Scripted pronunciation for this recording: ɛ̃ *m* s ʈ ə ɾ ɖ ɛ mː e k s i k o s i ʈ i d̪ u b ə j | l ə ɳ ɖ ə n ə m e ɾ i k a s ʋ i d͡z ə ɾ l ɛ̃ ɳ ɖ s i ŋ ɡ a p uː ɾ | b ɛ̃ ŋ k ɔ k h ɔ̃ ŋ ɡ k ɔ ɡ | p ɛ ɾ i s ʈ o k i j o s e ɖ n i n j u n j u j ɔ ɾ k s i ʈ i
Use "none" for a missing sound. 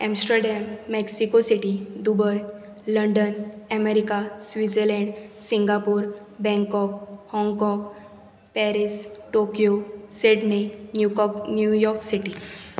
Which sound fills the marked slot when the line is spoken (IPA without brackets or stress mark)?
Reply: m